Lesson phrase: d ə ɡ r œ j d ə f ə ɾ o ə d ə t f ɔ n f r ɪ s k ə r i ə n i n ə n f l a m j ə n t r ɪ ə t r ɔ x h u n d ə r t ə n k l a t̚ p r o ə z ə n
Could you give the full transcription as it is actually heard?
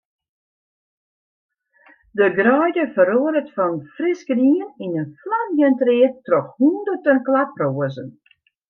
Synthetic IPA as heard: d ə ɡ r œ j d ə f ə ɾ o ə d ə t f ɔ n f r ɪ s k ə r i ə n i n ə n f l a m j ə n t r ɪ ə t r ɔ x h u n d ə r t ə n k l a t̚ p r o ə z ə n